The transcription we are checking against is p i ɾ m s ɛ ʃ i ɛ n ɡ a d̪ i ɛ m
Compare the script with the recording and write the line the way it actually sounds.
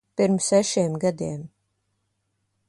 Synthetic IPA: p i ɾ m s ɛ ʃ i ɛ m ɡ a d̪ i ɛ m